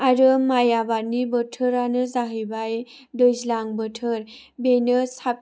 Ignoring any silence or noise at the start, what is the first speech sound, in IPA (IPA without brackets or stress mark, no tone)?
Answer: a